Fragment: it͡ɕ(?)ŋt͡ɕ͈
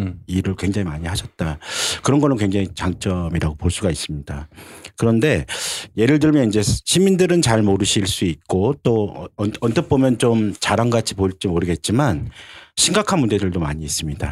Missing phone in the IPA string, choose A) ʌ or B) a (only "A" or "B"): B